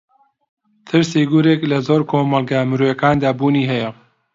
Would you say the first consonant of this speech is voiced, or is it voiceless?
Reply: voiceless